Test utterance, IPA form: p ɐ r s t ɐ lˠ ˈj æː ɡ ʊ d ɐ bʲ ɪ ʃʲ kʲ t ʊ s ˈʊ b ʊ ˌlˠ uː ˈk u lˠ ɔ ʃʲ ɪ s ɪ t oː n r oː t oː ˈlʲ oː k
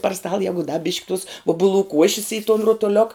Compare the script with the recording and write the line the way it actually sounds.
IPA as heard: p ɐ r s t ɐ lˠ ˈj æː ɡ ʊ d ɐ bʲ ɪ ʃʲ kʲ t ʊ s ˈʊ b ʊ ˌlˠ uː ˈk u ɔ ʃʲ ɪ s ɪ t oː n r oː t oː ˈlʲ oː k